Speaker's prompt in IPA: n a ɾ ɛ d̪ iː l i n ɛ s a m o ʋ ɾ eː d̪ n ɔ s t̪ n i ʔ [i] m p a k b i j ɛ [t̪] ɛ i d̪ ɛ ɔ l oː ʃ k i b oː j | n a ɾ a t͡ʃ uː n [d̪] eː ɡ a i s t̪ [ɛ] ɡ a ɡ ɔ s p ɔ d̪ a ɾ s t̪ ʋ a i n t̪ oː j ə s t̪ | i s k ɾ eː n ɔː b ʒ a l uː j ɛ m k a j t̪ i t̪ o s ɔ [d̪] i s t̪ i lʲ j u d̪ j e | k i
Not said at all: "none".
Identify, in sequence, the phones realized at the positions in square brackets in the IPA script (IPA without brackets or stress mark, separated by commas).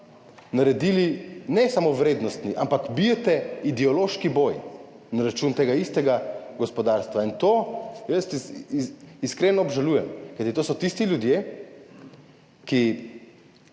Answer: a, t̪, t̪, ɛ, t̪